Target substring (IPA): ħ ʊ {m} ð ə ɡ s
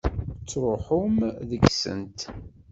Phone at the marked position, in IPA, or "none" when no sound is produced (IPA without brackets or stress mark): m